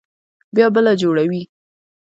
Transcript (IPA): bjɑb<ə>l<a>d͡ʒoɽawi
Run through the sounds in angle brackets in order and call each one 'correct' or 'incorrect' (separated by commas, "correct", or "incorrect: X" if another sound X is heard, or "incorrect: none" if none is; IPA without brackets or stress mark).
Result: correct, correct